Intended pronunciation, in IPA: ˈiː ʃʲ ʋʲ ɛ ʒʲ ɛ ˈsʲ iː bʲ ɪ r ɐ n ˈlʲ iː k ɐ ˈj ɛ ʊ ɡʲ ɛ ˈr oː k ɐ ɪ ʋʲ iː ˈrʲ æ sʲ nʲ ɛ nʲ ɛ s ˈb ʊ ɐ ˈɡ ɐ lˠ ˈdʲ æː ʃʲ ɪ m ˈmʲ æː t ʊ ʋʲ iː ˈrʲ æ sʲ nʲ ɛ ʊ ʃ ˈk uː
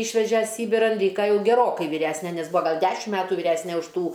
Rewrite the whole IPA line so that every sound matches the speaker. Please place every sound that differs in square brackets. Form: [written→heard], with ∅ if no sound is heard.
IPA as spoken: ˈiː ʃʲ ʋʲ ɛ ʒʲ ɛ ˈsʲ iː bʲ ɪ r ɐ n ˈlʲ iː k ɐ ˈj ɛ ʊ ɡʲ ɛ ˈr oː k ɐ ɪ ʋʲ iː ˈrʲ æ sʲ nʲ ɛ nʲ ɛ s ˈb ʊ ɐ ˈɡ ɐ lˠ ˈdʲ æː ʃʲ ɪ m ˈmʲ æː t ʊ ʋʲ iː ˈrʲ æ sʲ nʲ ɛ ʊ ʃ [ˈk→ˈt] uː